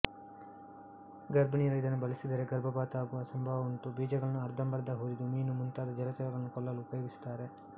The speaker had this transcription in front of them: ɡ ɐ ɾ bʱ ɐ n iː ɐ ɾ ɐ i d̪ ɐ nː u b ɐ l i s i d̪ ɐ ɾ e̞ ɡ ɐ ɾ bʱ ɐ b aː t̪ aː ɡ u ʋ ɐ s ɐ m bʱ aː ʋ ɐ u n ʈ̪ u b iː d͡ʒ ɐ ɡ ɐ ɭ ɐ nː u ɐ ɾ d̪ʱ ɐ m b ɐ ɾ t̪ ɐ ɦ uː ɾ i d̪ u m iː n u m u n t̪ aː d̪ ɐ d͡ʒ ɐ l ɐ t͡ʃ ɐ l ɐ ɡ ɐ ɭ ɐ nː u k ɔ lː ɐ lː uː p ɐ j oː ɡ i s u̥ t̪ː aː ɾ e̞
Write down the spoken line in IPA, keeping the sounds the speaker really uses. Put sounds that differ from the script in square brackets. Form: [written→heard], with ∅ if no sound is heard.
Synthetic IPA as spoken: ɡ ɐ ɾ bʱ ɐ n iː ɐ ɾ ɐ i d̪ ɐ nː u b ɐ l i s i d̪ ɐ ɾ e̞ ɡ ɐ ɾ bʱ ɐ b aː t̪ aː ɡ u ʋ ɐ s ɐ m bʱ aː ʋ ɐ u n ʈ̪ u b iː d͡ʒ ɐ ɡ ɐ ɭ ɐ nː u ɐ ɾ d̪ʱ ɐ m b ɐ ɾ [t̪→d̪] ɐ ɦ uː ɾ i d̪ u m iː n u m u n t̪ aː d̪ ɐ d͡ʒ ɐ l ɐ t͡ʃ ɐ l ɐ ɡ ɐ ɭ ɐ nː u k ɔ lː ɐ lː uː p ɐ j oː ɡ i s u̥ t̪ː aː ɾ e̞